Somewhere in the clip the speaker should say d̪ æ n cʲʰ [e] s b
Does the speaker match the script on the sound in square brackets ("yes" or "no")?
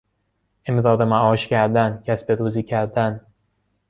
no